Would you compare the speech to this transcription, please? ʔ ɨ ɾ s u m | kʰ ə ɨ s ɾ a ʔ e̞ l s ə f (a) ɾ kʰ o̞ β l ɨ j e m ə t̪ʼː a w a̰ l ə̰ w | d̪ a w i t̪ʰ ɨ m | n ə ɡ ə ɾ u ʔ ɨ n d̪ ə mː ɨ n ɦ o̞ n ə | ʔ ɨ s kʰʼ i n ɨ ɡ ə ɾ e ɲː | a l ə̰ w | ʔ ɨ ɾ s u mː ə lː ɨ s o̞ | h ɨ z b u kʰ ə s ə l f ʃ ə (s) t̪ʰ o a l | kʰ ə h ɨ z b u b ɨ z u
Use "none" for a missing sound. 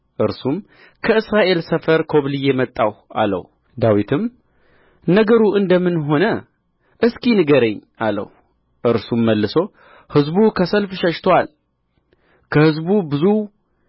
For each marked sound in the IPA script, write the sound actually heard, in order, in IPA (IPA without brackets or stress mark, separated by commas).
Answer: ə, ʃ